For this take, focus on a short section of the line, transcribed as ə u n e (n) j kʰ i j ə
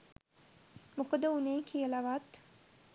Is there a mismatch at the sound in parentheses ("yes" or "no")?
yes